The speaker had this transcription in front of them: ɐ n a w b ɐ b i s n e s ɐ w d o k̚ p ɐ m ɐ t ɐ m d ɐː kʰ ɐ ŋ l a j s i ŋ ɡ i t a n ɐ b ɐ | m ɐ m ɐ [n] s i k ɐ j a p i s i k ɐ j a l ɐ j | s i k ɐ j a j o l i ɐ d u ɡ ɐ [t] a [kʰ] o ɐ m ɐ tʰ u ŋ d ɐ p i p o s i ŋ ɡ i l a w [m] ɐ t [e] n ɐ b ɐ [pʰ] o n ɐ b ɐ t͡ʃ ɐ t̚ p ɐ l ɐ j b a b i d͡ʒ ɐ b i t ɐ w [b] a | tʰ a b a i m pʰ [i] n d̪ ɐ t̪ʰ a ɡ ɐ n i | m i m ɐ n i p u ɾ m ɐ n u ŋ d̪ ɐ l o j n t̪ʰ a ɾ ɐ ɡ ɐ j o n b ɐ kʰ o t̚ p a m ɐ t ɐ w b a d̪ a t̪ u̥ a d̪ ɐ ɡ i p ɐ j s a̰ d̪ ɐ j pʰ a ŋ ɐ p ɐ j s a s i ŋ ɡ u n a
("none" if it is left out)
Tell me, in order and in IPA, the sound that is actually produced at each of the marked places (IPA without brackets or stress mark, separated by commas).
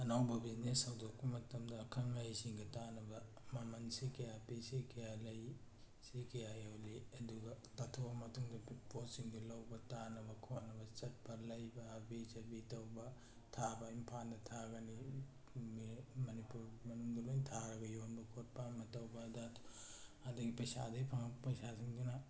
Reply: n, t, tʰ, b, a, kʰ, b, a